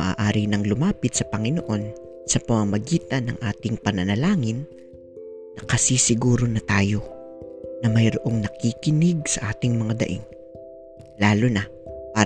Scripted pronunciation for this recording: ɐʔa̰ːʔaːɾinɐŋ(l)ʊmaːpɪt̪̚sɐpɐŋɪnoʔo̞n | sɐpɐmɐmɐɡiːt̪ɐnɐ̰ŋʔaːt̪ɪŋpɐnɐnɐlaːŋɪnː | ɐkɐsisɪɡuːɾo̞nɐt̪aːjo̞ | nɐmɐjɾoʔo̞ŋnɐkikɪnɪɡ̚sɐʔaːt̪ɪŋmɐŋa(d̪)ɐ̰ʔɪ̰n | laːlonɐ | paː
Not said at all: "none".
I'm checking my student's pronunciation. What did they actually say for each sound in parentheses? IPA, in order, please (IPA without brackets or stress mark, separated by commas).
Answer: l, d̪